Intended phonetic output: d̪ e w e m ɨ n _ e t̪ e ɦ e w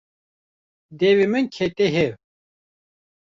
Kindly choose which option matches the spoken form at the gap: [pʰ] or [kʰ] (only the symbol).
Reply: kʰ